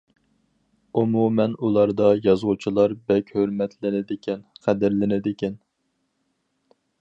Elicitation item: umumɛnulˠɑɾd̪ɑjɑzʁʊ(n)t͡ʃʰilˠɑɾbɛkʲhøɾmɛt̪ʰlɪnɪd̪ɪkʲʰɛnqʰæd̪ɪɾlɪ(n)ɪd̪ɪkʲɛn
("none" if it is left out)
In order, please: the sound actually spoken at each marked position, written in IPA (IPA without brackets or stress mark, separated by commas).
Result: none, n